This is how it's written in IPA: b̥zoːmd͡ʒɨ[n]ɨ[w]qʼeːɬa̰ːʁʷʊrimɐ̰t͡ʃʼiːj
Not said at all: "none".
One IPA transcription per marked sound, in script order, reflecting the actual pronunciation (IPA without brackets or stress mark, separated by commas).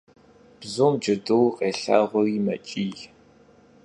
d, w